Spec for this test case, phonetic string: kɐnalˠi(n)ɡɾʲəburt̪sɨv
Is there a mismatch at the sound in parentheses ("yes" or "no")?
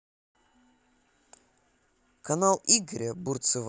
yes